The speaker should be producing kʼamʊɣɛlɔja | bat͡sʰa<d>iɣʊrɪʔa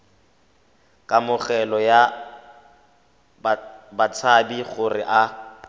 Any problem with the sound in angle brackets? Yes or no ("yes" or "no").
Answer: yes